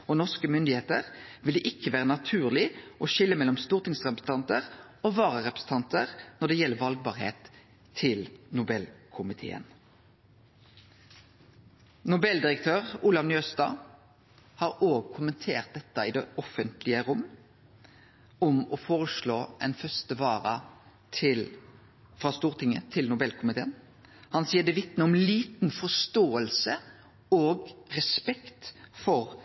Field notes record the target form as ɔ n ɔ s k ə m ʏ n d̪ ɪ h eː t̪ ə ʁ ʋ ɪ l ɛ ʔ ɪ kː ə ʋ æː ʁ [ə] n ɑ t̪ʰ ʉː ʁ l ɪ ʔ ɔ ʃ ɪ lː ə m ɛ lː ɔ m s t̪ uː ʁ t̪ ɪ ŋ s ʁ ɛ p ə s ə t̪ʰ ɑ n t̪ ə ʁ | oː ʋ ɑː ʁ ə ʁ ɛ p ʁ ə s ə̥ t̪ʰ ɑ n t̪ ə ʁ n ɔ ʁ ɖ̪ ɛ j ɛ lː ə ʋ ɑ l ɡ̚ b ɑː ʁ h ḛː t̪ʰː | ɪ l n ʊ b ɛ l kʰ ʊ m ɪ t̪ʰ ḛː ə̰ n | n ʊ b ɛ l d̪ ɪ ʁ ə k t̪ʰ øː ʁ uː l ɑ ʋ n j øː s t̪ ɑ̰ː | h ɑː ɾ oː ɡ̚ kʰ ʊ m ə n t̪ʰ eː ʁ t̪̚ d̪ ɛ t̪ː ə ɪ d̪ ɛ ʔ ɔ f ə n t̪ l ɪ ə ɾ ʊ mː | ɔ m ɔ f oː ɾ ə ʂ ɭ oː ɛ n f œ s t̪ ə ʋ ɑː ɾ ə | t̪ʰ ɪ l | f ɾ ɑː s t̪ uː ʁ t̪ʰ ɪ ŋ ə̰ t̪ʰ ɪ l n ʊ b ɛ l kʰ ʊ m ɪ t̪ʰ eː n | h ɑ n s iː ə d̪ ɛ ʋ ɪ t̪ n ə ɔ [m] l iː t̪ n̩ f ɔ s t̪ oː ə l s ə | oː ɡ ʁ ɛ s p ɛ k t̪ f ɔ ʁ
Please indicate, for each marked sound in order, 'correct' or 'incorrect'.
correct, correct

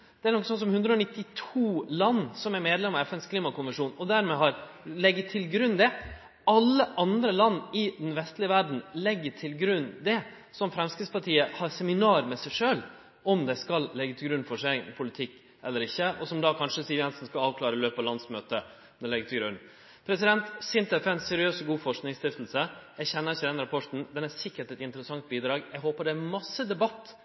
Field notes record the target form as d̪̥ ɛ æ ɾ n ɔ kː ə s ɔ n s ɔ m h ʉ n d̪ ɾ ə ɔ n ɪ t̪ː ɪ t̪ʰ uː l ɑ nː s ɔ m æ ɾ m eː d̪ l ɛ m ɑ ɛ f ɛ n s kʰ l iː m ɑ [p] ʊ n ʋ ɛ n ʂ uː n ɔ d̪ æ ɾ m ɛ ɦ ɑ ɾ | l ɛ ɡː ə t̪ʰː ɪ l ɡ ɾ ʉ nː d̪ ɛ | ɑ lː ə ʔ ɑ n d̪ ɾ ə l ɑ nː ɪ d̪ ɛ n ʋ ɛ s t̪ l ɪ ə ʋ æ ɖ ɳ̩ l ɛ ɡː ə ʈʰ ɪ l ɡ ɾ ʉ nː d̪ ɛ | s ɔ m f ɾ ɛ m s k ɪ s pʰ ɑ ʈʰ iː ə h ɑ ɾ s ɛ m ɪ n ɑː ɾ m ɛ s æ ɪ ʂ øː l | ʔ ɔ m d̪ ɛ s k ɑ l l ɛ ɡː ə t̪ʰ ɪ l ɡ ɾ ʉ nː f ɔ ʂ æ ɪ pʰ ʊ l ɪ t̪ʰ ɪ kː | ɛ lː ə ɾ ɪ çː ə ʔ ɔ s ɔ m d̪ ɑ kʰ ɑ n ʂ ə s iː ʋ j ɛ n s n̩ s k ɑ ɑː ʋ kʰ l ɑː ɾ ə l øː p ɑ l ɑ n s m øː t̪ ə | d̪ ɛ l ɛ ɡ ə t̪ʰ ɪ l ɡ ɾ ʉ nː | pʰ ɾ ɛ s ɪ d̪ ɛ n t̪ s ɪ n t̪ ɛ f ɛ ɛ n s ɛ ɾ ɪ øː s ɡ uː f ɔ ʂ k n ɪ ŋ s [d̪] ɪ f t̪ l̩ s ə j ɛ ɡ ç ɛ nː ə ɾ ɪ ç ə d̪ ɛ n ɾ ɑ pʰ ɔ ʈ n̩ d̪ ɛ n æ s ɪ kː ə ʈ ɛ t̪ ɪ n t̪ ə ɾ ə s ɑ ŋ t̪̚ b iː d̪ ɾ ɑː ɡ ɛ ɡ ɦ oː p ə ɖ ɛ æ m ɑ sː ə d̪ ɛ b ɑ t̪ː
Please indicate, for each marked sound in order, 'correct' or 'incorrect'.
incorrect: k, incorrect: t̪

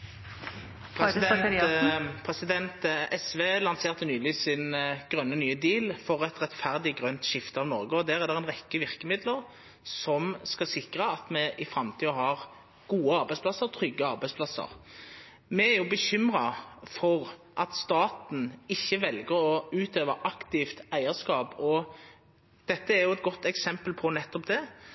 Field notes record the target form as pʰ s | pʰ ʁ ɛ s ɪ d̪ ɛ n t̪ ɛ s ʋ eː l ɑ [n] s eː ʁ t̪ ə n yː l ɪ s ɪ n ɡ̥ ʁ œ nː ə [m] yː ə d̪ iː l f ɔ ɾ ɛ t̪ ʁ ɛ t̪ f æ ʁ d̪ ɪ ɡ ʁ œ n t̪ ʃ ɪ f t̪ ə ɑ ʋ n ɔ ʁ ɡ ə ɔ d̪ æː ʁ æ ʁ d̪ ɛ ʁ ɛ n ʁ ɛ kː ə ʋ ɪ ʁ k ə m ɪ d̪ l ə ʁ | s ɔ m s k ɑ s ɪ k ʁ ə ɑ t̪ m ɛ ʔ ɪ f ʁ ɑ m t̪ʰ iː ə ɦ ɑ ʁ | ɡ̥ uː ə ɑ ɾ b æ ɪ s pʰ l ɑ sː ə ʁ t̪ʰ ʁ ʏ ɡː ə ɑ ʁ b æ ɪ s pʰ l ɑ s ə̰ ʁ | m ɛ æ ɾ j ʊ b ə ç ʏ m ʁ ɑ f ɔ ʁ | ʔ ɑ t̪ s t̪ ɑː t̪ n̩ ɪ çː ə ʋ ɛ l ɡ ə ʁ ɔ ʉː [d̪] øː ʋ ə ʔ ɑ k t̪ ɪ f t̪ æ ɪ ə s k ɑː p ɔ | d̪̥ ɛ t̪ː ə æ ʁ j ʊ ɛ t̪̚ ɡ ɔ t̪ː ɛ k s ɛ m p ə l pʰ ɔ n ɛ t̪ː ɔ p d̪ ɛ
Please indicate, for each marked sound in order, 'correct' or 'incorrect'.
correct, incorrect: n, incorrect: t̪

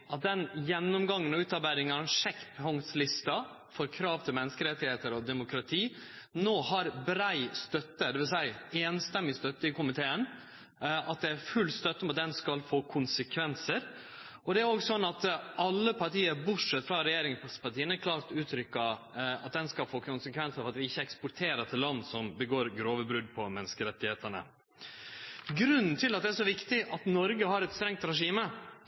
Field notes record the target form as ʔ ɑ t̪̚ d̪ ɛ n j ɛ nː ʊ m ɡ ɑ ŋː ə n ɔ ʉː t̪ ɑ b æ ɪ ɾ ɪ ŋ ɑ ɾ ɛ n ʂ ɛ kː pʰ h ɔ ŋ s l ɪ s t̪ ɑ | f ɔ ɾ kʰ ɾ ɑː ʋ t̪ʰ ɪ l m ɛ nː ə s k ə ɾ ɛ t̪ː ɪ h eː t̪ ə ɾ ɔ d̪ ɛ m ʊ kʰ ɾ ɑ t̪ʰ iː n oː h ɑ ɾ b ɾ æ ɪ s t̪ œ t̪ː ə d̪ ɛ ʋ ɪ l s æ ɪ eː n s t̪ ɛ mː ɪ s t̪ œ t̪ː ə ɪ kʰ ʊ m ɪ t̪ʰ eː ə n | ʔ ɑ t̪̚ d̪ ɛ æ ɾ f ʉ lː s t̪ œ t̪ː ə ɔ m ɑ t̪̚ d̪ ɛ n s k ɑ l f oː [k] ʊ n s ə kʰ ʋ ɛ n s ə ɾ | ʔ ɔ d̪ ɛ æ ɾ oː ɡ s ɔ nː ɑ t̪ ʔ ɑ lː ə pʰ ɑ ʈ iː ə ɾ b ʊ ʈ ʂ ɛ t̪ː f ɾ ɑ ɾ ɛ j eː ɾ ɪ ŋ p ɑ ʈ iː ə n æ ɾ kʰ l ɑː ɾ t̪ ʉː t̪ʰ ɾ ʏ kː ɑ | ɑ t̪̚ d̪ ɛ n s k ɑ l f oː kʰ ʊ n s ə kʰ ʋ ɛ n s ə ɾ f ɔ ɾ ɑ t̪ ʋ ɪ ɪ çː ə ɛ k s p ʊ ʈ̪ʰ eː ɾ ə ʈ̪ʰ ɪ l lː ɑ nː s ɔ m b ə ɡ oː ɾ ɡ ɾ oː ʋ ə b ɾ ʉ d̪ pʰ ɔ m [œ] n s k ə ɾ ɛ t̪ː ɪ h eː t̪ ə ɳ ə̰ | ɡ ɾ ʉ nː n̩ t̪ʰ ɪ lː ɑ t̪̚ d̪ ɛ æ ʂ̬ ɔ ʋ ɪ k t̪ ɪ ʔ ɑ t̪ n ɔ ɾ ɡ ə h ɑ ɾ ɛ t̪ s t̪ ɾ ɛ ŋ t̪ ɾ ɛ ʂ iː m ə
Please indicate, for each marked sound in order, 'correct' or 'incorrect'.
incorrect: kʰ, incorrect: ɛ

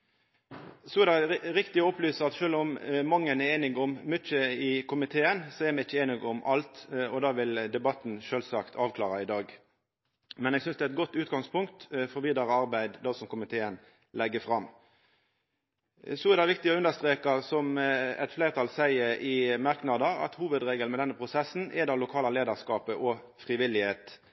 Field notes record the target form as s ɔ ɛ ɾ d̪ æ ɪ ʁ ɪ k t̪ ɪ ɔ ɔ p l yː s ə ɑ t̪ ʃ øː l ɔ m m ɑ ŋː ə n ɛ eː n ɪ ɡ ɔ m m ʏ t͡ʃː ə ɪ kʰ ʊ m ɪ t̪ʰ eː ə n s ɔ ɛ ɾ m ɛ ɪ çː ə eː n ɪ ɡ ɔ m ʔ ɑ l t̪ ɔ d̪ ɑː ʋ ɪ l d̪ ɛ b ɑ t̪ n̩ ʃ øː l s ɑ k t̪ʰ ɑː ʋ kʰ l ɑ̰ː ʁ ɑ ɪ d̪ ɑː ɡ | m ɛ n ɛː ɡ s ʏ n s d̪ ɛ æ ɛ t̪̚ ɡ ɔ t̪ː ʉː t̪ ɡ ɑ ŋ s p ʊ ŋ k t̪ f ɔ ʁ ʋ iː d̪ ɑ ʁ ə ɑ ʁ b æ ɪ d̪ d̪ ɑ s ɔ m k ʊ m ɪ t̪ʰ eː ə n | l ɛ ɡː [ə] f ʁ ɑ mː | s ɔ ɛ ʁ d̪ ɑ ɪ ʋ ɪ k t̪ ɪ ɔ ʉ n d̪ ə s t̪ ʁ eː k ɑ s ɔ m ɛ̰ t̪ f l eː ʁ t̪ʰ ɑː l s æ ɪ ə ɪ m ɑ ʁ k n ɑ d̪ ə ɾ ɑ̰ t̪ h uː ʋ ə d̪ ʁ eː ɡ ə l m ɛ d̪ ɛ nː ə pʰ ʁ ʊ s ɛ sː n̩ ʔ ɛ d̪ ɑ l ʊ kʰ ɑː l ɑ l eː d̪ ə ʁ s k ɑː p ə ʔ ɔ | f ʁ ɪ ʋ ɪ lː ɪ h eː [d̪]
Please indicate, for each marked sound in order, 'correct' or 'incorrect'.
correct, incorrect: t̪

